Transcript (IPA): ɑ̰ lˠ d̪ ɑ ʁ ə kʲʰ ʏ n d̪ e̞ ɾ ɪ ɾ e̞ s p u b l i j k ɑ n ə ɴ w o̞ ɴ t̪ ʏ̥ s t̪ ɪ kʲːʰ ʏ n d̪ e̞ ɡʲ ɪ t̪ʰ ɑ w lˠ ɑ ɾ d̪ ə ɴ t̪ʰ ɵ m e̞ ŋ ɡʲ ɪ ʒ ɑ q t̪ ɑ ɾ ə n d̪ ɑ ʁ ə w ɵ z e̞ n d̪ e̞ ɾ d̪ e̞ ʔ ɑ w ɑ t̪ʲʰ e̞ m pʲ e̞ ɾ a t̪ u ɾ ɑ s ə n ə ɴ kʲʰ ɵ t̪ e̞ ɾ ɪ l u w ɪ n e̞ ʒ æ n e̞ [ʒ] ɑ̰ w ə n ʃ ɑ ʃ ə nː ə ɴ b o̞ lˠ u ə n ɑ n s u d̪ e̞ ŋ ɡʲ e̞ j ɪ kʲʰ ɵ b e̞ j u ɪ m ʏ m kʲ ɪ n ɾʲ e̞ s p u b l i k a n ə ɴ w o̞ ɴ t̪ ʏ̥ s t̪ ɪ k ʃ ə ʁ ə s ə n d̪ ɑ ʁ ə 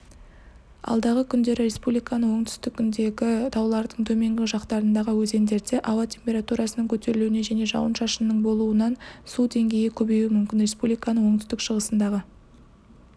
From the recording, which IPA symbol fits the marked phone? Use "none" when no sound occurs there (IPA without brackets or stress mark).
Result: ʒ